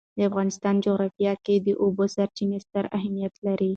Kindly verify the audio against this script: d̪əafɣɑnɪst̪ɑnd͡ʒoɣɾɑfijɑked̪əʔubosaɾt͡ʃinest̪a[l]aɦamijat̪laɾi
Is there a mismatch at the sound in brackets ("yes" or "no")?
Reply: yes